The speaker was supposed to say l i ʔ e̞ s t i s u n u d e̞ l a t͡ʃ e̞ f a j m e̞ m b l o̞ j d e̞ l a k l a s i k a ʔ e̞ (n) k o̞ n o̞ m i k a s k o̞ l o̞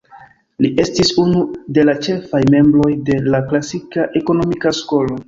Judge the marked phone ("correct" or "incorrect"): incorrect